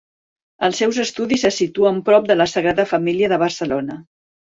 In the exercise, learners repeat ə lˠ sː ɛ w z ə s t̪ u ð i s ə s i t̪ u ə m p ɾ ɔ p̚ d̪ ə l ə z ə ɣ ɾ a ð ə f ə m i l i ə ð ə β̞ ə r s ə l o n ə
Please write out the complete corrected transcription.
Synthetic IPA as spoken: ə lˠ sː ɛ w z ə s t̪ u ð i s ə s i t̪ u ə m p ɾ ɔ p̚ d̪ ə l ə s ə ɣ ɾ a ð ə f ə m i l i ə ð ə β̞ ə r s ə l o n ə